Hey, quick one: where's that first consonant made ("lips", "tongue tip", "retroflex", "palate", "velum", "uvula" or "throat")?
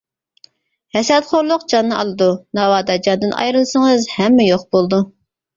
throat